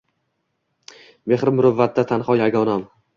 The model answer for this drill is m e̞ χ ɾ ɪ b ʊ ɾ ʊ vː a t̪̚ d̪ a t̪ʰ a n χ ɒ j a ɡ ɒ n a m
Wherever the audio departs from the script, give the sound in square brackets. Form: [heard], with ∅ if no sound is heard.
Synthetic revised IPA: m e̞ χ ɾ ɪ [m] ʊ ɾ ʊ vː a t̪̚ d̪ a t̪ʰ a n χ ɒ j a ɡ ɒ n a m